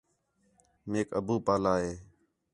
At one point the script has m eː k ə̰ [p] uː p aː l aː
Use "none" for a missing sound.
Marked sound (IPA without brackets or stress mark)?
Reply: b